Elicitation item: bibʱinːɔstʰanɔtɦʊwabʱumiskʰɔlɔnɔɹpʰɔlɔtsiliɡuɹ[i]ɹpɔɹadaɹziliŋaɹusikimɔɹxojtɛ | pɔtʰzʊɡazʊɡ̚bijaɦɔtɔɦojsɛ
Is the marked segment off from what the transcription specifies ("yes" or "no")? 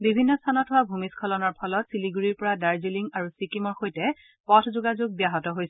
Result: no